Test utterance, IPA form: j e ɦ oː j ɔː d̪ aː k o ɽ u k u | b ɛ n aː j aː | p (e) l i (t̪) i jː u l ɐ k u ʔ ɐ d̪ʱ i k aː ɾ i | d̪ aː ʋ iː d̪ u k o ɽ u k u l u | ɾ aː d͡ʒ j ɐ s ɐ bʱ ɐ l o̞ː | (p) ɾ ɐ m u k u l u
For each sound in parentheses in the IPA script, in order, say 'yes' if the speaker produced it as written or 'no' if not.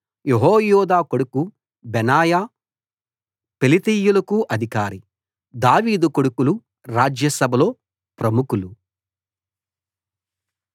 yes, yes, yes

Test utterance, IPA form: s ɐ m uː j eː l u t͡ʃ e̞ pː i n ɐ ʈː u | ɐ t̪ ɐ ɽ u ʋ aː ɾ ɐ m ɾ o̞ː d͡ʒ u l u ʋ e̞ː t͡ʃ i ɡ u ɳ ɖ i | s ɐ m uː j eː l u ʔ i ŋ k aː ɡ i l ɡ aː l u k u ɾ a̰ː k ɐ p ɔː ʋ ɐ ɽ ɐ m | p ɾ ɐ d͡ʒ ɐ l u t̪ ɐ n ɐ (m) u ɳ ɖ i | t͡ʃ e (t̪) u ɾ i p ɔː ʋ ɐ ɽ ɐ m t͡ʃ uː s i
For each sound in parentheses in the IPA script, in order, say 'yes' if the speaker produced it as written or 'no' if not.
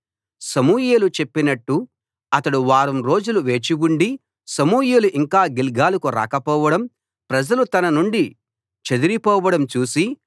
no, no

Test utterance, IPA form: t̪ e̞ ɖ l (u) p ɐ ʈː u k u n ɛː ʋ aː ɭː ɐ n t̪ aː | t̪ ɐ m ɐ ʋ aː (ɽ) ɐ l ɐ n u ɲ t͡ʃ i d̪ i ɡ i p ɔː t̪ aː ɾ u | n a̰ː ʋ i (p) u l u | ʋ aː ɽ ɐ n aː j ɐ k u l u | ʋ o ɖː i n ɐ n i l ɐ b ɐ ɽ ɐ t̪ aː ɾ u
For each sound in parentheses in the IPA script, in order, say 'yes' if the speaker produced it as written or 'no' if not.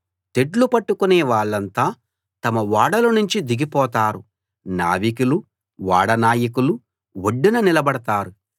yes, yes, no

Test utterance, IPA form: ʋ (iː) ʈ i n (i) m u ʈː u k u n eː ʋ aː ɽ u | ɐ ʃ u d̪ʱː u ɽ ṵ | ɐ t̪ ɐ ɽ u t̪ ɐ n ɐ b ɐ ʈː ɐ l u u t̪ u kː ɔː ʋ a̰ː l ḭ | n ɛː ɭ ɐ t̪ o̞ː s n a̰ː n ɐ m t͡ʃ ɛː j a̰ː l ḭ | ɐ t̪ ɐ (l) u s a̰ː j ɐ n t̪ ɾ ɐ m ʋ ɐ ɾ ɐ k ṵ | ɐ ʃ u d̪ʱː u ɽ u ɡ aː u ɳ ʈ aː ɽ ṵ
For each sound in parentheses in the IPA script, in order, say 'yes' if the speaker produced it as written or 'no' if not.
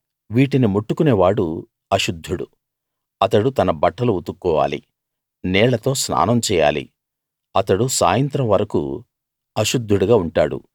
yes, yes, no

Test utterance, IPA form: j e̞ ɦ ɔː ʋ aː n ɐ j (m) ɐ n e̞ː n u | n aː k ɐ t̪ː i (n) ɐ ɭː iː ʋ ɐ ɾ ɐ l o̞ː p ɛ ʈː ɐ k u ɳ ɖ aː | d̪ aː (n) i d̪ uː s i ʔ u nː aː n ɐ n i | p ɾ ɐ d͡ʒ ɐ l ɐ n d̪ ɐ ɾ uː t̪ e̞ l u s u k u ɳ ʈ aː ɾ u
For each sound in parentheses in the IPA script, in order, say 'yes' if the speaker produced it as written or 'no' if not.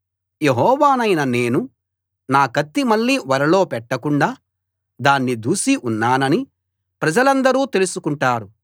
no, no, no

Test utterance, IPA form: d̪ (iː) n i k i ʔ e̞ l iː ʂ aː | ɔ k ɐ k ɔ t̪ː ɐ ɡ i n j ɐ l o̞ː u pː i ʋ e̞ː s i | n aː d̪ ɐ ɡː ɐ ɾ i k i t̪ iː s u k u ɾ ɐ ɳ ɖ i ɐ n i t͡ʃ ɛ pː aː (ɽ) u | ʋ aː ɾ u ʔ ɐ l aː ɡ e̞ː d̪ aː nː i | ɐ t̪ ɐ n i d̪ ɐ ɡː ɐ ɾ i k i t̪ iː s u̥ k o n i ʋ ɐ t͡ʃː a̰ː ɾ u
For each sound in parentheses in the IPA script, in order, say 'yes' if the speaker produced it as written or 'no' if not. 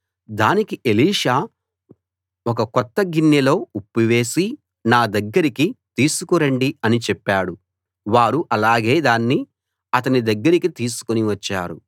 no, yes

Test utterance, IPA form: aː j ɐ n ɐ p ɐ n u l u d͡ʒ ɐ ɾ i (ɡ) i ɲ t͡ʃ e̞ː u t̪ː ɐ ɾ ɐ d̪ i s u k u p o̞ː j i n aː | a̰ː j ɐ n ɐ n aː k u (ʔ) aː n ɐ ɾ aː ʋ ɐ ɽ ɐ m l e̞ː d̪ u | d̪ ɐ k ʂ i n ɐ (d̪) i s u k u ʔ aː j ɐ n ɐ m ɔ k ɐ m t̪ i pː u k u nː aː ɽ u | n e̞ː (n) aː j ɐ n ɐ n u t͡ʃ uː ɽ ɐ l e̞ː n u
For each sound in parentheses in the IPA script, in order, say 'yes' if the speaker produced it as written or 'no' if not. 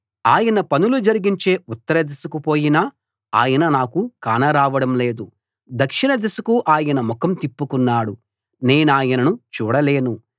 yes, no, yes, yes

